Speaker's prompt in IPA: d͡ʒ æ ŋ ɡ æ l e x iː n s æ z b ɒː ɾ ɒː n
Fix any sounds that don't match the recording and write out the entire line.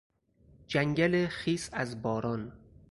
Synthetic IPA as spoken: d͡ʒ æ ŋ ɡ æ l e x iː s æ z b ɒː ɾ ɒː n